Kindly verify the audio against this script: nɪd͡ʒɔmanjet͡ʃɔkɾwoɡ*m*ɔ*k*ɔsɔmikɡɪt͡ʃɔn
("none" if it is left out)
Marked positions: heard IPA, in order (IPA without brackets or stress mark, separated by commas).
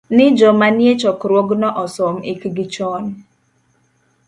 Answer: n, ʔ